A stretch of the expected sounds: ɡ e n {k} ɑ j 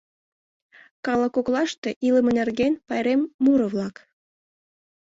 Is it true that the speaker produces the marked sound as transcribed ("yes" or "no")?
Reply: no